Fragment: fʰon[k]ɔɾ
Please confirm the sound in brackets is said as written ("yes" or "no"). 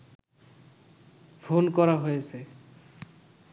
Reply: yes